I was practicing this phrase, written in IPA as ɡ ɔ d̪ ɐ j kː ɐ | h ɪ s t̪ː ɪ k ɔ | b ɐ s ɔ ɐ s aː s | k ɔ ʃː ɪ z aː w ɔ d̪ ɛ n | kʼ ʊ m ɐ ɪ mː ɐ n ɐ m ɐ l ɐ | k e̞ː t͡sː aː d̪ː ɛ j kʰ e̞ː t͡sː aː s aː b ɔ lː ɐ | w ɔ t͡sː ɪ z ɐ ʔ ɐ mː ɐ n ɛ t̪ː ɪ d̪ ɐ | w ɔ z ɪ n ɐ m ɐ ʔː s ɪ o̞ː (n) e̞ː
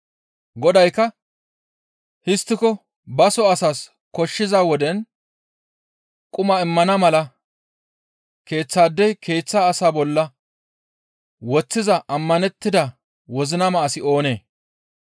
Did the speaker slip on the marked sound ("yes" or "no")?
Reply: no